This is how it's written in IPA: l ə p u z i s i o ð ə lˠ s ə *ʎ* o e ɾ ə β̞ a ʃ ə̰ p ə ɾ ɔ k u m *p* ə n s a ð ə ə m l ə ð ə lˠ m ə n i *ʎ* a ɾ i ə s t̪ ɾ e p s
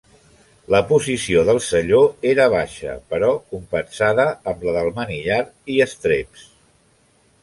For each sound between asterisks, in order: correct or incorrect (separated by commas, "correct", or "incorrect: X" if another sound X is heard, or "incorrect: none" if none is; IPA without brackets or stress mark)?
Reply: correct, correct, correct